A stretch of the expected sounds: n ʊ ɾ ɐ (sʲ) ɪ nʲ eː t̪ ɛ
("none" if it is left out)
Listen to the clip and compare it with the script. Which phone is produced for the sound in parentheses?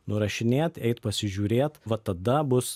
ʃʲ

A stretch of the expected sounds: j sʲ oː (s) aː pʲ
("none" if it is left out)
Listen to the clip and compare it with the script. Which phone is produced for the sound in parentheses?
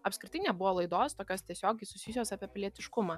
s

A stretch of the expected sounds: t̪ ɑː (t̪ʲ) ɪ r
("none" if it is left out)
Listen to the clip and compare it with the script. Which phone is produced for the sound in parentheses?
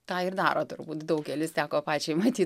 none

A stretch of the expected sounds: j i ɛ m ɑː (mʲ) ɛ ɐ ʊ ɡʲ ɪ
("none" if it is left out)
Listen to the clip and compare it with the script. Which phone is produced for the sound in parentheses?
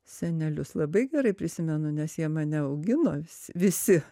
nʲ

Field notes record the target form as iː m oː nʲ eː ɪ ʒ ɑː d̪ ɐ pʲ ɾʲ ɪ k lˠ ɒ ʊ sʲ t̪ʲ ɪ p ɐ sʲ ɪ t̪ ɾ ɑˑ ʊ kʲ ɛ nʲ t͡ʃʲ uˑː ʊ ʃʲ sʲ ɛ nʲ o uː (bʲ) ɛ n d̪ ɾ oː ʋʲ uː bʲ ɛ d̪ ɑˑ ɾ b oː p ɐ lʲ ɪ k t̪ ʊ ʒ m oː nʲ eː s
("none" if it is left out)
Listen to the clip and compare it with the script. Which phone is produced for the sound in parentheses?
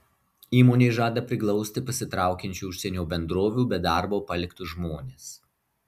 bʲ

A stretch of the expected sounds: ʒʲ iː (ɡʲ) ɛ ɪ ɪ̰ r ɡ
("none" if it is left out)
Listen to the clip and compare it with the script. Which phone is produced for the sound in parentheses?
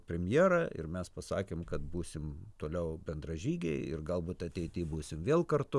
ɡʲ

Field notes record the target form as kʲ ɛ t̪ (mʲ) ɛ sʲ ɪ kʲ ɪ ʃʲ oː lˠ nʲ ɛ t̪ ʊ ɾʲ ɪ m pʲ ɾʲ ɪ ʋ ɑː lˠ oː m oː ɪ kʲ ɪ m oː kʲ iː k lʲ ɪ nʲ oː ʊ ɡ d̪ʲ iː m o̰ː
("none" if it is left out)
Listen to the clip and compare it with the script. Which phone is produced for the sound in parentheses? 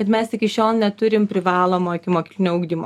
mʲ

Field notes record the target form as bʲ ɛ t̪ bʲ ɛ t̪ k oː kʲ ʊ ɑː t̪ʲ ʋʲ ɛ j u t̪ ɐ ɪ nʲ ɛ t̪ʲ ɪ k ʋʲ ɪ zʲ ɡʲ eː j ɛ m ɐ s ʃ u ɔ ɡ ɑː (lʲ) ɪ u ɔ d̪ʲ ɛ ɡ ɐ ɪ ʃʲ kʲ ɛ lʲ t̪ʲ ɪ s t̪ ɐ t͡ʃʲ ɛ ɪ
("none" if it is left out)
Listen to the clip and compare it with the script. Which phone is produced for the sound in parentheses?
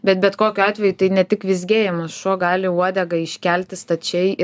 lʲ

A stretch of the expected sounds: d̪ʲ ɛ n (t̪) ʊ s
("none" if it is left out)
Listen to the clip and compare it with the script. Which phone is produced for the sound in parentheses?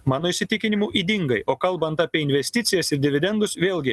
d̪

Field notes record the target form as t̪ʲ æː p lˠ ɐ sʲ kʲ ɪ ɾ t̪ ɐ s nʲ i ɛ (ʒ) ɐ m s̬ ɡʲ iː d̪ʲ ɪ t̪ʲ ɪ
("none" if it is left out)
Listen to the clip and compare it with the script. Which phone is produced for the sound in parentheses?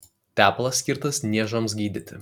ʒ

